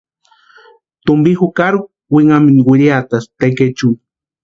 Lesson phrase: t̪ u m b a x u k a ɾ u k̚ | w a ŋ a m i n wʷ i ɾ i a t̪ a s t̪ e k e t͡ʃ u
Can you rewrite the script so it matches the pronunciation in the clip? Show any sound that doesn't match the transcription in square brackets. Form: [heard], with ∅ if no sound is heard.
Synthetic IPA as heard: t̪ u m b [i] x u k a ɾ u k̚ | w [i] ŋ a m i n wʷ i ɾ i a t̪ a s t̪ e k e t͡ʃ u